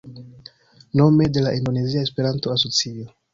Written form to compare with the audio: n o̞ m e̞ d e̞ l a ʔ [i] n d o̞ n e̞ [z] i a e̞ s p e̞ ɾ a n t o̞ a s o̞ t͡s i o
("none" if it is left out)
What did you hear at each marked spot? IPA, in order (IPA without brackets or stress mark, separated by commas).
i, z